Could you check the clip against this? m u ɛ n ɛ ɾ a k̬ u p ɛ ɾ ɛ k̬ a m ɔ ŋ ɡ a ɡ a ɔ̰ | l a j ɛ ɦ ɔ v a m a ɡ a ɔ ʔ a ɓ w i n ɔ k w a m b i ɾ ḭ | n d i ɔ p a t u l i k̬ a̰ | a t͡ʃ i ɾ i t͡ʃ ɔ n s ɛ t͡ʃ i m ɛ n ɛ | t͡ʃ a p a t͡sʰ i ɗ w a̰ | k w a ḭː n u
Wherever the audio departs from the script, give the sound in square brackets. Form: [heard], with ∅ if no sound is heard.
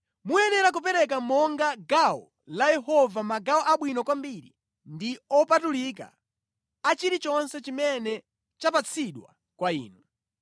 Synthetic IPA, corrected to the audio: m u ɛ n ɛ ɾ a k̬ u p ɛ ɾ ɛ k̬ a m ɔ ŋ ɡ a ɡ a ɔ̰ | l a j ɛ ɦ ɔ v a m a ɡ a ɔ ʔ a ɓ w i n ɔ k w a m b i ɾ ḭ | n d i ɔ p a t u l i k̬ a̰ | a t͡ʃ i ɾ i t͡ʃ ɔ n s ɛ t͡ʃ i m ɛ n ɛ | t͡ʃ a p a t͡sʰ i ɗ w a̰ | k w a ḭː n u